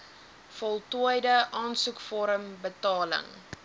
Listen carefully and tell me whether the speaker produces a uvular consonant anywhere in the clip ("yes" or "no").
no